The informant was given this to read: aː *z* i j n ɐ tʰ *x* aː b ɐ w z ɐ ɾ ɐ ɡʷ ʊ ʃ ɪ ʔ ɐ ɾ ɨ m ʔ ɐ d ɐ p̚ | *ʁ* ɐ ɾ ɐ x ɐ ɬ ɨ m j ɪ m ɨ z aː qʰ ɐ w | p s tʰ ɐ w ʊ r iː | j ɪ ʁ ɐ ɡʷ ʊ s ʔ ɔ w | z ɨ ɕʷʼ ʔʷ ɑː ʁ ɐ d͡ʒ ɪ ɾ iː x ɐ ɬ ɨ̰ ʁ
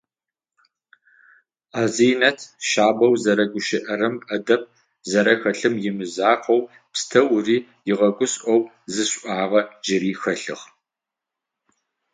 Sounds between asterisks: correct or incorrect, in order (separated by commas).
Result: correct, incorrect, incorrect